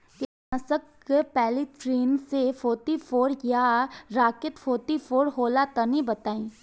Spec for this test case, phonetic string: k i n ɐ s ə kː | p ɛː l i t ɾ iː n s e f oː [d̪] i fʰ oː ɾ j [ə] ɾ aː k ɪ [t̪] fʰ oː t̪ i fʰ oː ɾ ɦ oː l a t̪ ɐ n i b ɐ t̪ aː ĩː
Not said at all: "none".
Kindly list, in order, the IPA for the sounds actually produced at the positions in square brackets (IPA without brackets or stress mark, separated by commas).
t̪, a, t̪